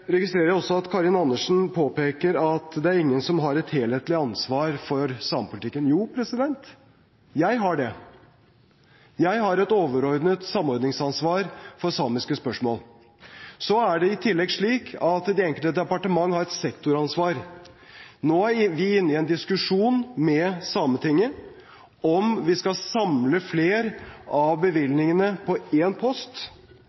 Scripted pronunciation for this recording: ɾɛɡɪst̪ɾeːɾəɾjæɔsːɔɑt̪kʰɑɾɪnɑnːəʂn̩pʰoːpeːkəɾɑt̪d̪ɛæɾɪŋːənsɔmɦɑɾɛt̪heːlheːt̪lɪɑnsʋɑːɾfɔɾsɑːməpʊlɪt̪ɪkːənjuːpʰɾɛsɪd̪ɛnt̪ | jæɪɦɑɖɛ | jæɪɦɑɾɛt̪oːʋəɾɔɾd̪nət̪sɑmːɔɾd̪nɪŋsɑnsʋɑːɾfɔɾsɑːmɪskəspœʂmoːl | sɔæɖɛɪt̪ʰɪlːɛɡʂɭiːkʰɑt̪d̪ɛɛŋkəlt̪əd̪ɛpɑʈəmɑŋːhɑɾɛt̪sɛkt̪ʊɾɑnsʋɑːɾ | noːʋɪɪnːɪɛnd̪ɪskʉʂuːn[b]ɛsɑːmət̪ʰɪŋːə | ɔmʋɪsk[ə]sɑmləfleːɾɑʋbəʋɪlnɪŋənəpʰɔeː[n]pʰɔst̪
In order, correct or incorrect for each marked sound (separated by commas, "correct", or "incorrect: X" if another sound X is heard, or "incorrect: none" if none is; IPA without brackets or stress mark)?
incorrect: m, incorrect: ɑ, correct